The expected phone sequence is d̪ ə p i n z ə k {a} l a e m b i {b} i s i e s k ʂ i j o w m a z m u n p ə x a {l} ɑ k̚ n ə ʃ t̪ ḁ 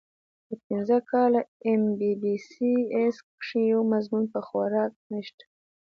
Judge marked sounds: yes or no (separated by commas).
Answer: no, yes, no